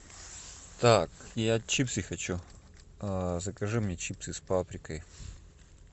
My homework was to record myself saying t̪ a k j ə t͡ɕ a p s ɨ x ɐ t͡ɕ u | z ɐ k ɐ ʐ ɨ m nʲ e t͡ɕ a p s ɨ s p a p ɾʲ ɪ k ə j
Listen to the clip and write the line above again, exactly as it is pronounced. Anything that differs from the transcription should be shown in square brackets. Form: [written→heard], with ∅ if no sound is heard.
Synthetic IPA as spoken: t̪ a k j [ə→a] t͡ɕ [a→i] p s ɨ x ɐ t͡ɕ u | z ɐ k ɐ ʐ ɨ m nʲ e t͡ɕ [a→i] p s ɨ s p a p ɾʲ ɪ k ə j